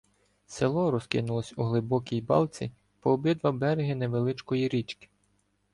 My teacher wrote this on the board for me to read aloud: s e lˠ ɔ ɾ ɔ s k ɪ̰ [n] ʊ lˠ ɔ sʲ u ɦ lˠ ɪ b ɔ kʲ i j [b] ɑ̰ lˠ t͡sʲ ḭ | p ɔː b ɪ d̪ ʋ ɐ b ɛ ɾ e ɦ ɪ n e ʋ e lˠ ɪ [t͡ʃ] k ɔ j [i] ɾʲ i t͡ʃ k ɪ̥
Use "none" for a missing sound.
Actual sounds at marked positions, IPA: n, b, t͡ʃ, i

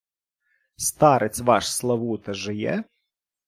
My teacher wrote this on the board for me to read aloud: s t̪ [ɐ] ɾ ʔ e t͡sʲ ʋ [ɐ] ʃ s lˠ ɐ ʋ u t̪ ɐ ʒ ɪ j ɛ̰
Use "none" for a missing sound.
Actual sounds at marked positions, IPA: ɑ, ɑ

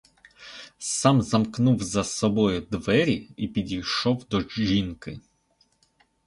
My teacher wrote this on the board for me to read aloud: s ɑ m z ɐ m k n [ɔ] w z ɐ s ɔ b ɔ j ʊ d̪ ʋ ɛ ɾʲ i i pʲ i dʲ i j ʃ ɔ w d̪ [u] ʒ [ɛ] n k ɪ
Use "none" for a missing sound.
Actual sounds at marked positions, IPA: u, ɔ, i

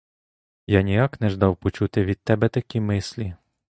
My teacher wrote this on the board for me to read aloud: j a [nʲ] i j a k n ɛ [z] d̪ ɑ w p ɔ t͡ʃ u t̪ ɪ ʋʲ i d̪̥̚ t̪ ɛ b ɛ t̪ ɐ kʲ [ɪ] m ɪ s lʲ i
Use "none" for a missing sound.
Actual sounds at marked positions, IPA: nʲ, ʒ, i

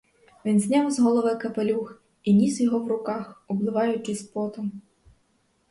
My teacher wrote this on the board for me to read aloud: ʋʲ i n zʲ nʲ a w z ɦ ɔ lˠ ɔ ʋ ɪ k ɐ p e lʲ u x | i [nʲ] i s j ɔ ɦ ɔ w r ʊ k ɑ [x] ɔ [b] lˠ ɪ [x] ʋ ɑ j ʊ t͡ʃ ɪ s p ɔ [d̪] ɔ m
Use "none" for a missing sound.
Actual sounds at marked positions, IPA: nʲ, x, b, none, t̪

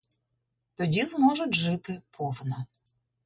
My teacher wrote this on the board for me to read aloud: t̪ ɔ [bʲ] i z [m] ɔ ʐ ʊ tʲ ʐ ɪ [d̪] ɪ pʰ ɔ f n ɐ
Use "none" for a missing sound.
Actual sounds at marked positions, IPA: dʲ, m, t̪

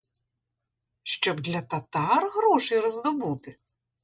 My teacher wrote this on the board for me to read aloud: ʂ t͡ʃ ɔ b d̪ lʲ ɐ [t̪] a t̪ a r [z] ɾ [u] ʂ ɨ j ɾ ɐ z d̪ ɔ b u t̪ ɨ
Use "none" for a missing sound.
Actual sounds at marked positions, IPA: t̪, ɣ, ɔ

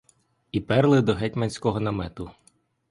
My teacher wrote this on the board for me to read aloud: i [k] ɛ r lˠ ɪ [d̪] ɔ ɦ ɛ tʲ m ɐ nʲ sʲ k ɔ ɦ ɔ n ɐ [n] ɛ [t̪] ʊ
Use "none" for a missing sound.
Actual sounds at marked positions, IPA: p, d̪, m, t̪

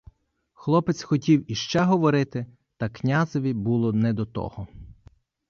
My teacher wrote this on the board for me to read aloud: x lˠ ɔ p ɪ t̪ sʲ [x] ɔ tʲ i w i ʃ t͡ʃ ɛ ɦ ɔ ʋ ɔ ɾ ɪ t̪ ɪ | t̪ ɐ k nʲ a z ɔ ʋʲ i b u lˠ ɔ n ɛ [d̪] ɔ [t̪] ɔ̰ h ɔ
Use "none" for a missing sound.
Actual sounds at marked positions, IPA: x, d̪, t̪

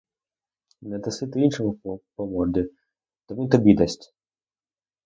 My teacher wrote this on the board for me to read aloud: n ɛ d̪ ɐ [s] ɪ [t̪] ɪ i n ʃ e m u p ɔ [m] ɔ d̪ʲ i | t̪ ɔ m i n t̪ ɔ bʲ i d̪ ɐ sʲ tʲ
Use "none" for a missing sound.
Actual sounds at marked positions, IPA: s, t̪, m

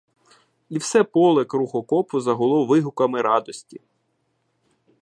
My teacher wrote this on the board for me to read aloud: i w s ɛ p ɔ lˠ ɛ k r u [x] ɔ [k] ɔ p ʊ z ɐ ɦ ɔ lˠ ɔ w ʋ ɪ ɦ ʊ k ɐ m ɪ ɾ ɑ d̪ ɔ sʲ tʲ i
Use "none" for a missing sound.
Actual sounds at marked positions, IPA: x, k

